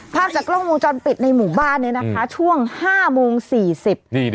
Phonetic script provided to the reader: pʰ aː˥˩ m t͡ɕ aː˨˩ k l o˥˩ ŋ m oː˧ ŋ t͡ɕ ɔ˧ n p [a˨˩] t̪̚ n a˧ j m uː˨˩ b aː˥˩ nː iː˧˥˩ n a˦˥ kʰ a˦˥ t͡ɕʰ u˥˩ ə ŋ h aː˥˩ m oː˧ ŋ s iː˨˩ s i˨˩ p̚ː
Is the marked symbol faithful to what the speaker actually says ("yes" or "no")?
no